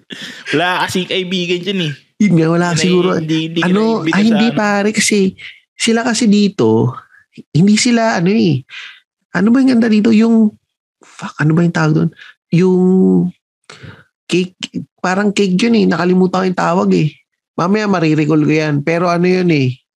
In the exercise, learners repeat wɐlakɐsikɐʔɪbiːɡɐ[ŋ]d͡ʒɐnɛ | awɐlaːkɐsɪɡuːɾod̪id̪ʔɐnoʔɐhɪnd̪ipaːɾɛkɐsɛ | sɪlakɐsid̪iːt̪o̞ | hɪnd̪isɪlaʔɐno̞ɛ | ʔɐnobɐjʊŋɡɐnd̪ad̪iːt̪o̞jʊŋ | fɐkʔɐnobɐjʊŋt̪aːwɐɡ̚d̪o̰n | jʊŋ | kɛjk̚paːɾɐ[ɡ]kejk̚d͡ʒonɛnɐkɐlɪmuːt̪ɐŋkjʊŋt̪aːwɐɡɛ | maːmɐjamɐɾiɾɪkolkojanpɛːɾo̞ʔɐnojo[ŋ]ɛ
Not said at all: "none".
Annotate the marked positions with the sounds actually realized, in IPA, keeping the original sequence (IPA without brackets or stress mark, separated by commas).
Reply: n, ŋ, n